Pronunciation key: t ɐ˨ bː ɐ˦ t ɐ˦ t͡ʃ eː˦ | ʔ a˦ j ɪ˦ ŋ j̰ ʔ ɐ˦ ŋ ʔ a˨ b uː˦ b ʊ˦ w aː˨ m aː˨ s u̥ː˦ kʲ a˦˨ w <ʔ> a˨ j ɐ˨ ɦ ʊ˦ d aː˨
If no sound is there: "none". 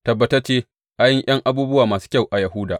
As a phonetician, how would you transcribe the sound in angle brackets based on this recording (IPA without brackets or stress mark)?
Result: ʔ